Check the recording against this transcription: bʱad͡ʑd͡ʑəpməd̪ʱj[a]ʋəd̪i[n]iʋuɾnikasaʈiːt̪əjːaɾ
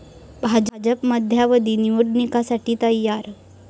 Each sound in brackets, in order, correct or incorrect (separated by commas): correct, correct